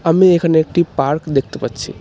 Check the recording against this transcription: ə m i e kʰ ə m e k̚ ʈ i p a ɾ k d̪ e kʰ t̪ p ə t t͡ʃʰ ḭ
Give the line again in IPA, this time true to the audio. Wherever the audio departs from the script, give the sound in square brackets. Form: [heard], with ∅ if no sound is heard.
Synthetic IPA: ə m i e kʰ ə [n] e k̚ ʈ i p a ɾ k d̪ e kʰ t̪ p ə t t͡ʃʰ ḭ